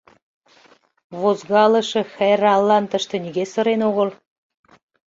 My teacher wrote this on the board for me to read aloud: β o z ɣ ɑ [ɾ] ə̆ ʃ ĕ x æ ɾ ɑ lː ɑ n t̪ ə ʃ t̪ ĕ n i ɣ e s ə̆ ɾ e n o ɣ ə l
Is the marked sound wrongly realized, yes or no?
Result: yes